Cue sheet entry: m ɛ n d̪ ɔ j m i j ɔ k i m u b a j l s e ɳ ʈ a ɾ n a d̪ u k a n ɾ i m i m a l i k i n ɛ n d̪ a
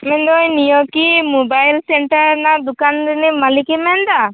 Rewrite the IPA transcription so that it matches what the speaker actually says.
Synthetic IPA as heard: m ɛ n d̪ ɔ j n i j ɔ k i m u b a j l s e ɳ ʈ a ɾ n a d̪ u k a n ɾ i n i m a l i k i m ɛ n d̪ a